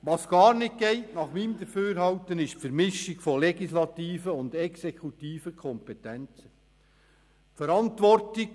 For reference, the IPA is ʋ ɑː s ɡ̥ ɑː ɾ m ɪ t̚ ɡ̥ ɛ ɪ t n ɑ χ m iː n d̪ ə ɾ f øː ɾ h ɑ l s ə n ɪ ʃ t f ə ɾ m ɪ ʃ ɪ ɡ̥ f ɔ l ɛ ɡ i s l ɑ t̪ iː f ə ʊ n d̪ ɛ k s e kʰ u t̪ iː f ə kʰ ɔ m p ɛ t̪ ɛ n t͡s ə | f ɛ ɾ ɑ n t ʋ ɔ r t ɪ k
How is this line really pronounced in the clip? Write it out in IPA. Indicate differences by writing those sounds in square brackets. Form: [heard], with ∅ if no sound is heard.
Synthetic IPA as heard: ʋ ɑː s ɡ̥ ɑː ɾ [n] ɪ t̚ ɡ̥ ɛ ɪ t n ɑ χ m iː [m] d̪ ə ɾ f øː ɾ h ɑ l [t] ə n ɪ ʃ t f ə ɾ m ɪ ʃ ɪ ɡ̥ f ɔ l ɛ ɡ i s l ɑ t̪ iː f ə ʊ n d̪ ɛ k s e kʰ u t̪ iː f ə kʰ ɔ m p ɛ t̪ ɛ n t͡s ə | f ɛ ɾ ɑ n t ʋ ɔ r t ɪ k